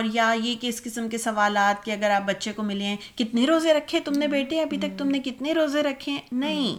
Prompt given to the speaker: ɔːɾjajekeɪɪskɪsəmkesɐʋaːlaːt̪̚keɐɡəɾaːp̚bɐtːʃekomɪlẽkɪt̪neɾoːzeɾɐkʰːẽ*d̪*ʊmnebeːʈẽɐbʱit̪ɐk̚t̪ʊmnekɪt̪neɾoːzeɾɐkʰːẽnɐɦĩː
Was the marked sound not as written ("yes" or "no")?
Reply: yes